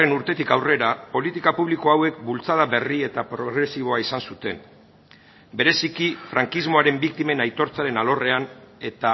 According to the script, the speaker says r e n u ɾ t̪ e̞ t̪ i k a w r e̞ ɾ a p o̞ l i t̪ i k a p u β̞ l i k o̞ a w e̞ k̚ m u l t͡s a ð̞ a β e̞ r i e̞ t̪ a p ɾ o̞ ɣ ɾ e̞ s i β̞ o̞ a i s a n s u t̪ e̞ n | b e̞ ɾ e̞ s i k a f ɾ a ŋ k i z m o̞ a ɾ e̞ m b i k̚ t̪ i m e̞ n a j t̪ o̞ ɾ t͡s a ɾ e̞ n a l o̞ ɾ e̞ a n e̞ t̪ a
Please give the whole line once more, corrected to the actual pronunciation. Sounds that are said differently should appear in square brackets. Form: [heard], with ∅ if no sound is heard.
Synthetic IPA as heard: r e n u ɾ t̪ e̞ t̪ i k a w r e̞ ɾ a p o̞ l i t̪ i k a p u β̞ l i k o̞ a w e̞ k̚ [b] u l t͡s a ð̞ a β e̞ r i e̞ t̪ a p ɾ o̞ ɣ ɾ e̞ s i β̞ o̞ a i s a n s u t̪ e̞ n | b e̞ ɾ e̞ s i k [i] f ɾ a ŋ k i z m o̞ a ɾ e̞ m b i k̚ t̪ i m e̞ n a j t̪ o̞ ɾ t͡s a ɾ e̞ n a l o̞ [r] e̞ a n e̞ t̪ a